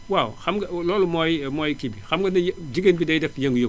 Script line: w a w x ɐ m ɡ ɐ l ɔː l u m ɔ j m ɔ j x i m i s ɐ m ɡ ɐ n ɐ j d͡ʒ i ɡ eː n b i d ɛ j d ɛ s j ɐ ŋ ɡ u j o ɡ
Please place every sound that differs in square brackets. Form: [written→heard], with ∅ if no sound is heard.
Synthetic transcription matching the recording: w a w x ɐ m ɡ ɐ l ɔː l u m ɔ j m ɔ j [x→k] i [m→b] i [s→x] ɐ m ɡ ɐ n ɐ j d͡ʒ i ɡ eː n b i d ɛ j d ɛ [s→f] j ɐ ŋ ɡ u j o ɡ